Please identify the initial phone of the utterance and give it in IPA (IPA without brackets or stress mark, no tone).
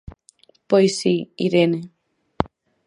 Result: p